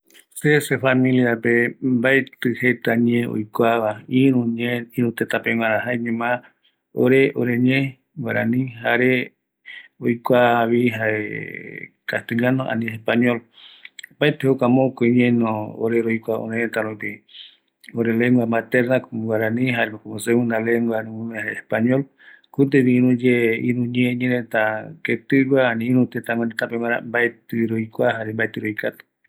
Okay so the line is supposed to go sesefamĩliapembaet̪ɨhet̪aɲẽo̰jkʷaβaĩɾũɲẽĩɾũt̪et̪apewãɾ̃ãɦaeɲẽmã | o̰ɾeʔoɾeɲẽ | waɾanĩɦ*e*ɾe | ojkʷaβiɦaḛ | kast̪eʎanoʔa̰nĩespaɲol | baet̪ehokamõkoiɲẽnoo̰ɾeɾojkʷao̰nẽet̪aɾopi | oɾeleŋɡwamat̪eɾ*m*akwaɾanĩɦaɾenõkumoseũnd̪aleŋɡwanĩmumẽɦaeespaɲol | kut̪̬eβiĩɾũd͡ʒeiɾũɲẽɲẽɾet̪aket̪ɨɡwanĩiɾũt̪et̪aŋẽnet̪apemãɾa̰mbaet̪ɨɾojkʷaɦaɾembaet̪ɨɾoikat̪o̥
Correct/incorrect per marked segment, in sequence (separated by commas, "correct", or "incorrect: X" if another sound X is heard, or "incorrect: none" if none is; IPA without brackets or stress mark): incorrect: a, incorrect: n